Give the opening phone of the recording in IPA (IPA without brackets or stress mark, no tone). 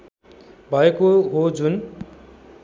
bʱ